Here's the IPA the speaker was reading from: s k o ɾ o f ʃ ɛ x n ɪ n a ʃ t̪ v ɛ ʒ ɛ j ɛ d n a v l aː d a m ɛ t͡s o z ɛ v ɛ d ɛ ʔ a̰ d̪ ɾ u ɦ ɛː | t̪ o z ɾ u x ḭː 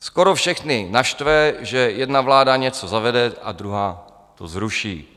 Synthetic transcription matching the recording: s k o ɾ o f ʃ ɛ x n ɪ n a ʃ t̪ v ɛ ʒ ɛ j ɛ d n a v l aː d a ɲ ɛ t͡s o z a v ɛ d ɛ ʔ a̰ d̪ ɾ u ɦ aː | t̪ o z ɾ u ʃ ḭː